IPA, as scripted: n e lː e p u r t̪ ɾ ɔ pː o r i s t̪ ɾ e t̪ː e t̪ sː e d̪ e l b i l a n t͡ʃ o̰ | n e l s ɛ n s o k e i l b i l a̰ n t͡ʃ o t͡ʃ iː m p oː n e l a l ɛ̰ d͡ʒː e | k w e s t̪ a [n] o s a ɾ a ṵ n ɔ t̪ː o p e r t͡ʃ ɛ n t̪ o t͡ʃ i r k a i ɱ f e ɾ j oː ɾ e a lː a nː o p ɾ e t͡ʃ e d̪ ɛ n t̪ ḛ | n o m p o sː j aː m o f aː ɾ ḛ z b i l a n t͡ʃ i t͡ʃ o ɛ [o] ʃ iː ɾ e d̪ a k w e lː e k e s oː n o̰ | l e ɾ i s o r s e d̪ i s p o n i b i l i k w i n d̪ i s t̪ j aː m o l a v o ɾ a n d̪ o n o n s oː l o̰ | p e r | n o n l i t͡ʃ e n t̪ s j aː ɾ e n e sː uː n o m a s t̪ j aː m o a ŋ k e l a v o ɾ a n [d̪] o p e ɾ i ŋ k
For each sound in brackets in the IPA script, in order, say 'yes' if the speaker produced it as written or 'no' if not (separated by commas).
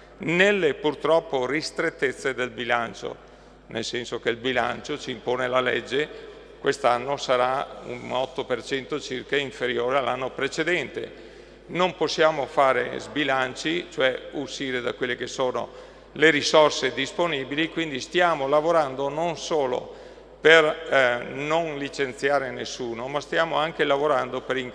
no, no, yes